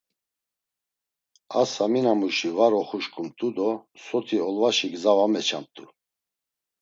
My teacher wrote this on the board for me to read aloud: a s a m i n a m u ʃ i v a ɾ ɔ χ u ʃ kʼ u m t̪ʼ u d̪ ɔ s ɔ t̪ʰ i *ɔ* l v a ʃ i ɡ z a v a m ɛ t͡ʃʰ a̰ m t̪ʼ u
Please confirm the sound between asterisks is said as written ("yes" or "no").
yes